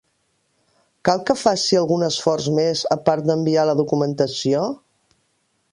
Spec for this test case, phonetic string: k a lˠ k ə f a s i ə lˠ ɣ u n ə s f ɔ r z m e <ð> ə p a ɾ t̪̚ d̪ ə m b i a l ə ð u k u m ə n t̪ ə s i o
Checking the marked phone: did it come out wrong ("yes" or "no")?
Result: yes